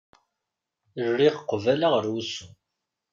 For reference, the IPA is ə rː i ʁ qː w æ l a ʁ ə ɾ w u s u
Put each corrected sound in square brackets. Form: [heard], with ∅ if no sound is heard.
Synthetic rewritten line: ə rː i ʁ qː [v] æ l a ʁ ə ɾ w u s u